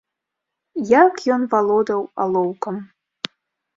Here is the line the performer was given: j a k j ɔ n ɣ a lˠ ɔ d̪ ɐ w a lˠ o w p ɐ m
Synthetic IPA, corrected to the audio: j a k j ɔ n v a lˠ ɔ d̪ ɐ w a lˠ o w k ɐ m